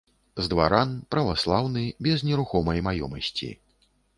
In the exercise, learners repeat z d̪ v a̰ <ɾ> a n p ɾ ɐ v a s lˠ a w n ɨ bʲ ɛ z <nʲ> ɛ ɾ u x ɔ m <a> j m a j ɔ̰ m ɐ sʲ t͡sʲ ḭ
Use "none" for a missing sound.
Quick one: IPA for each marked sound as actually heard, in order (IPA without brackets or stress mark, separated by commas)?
ɾ, nʲ, ɐ